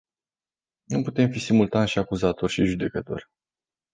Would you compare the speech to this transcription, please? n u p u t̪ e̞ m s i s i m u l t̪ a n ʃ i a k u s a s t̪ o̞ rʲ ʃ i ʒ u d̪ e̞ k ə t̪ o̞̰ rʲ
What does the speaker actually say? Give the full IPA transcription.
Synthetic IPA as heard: n u p u t̪ e̞ m f i s i m u l t̪ a n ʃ i a k u z a t̪ o̞ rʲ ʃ i ʒ u d̪ e̞ k ə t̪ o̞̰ rʲ